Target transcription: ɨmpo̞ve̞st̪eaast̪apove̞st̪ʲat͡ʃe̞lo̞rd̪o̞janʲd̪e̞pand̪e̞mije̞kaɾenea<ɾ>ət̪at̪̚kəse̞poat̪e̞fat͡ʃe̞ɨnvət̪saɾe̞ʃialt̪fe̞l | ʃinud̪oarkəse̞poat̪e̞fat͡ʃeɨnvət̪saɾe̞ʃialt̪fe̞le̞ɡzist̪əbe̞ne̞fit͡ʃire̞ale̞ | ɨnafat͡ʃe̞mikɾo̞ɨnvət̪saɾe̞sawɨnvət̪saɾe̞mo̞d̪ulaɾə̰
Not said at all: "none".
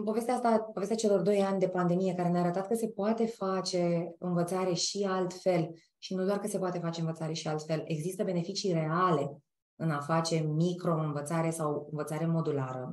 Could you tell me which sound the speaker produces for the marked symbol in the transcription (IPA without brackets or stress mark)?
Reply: ɾ